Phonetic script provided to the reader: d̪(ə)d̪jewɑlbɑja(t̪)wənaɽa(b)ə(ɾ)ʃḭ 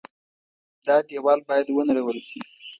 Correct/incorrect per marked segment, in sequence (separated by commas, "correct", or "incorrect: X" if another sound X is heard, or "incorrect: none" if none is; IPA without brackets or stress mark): incorrect: ɑ, incorrect: d̪, incorrect: w, incorrect: l